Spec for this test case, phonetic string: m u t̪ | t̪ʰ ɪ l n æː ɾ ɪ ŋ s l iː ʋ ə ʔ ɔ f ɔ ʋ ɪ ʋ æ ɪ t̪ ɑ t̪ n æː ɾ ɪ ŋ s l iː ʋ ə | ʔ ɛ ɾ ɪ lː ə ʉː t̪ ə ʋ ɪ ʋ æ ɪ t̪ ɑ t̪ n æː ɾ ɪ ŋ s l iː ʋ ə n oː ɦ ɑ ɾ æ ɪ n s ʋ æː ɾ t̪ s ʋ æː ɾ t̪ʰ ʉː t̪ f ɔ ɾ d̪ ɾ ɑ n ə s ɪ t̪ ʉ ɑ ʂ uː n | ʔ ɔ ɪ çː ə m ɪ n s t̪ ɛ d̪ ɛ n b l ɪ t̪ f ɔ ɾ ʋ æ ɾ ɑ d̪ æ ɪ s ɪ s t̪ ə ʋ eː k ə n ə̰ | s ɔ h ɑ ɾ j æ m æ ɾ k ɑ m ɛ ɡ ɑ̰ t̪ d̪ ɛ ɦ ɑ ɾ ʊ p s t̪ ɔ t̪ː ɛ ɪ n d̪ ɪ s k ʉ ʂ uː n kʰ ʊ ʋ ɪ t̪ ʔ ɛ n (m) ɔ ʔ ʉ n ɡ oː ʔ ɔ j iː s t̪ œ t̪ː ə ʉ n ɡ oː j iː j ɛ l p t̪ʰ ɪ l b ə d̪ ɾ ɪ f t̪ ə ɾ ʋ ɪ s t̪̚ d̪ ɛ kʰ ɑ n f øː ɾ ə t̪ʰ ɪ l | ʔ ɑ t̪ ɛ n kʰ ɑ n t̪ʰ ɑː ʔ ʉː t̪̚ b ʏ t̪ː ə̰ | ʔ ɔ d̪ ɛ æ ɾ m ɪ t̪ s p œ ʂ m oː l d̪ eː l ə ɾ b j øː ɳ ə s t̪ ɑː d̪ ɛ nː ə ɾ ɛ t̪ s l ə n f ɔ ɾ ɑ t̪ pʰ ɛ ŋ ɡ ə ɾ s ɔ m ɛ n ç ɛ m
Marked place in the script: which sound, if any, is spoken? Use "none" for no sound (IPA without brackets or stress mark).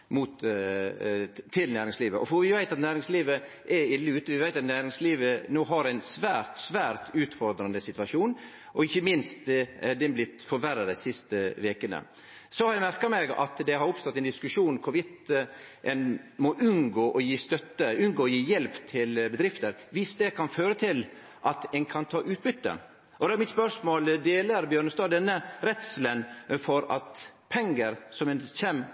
m